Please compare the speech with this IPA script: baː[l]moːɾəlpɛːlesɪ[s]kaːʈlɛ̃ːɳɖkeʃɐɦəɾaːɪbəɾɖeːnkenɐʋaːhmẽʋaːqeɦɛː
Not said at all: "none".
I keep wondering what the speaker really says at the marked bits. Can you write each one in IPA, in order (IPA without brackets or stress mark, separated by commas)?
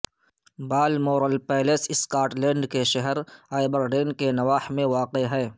l, s